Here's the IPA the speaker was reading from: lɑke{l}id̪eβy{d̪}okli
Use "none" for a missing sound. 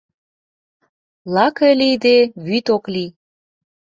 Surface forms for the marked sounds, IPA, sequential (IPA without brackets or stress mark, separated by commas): l, t̪